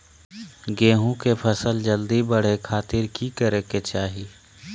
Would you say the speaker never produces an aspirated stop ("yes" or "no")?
no